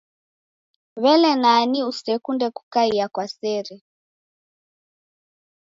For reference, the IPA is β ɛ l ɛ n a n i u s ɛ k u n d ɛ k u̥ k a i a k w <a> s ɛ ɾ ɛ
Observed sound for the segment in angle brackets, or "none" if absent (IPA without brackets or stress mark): a